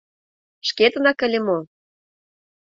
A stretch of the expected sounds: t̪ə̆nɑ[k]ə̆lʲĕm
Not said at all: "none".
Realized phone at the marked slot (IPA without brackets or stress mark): k